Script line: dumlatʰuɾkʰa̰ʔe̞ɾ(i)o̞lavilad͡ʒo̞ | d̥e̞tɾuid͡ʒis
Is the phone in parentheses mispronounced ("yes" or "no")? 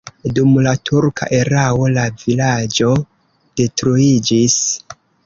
yes